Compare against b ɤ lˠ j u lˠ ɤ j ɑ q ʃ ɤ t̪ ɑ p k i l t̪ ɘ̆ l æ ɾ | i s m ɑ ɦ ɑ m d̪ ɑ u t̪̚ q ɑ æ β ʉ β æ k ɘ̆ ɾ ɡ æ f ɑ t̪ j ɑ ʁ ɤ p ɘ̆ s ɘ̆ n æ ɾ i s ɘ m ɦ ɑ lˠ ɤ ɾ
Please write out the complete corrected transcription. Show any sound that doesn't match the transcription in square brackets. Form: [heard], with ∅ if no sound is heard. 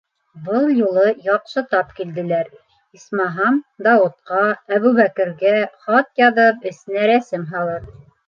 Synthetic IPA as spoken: b ɤ lˠ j u lˠ ɤ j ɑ q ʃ ɤ t̪ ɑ p k i l [d̪] ɘ̆ l æ ɾ | i s m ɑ ɦ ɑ m d̪ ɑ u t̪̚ q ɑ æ β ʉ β æ k ɘ̆ ɾ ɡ æ [χ] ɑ t̪ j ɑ [ð] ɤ p ɘ̆ s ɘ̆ n æ ɾ [æ] s ɘ m ɦ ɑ lˠ ɤ ɾ